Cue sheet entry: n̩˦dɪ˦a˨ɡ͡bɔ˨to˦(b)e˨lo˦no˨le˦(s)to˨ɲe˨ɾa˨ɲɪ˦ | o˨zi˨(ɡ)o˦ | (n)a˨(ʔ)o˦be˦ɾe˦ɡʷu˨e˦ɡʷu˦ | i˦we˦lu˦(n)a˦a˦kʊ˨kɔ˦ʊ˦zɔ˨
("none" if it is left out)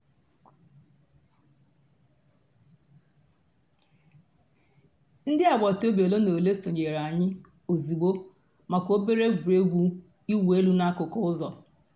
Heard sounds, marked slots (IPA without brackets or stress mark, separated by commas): b, s, ɡ͡b, m, k, n